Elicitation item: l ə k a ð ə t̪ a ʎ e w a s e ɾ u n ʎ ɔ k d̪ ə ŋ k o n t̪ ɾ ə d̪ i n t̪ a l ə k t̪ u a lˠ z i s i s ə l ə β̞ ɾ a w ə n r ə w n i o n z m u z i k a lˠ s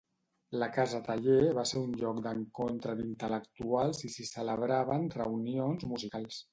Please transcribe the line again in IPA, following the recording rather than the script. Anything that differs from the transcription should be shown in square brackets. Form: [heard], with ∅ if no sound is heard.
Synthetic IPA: l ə k a [z] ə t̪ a ʎ e [β] a s e ɾ u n ʎ ɔ k d̪ ə ŋ k o n t̪ ɾ ə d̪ i n t̪ [ə] l ə k t̪ u a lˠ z i s i s ə l ə β̞ ɾ a [β] ə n r ə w n i o n z m u z i k a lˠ s